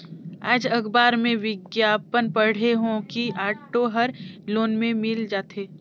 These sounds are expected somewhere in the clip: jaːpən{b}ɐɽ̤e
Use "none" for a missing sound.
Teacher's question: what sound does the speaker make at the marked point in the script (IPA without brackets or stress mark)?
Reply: p